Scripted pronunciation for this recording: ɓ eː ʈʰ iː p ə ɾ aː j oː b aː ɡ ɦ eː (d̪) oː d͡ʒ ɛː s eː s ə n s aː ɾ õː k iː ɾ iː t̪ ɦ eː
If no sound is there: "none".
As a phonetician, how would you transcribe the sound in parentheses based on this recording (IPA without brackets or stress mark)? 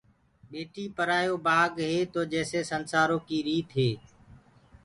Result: t̪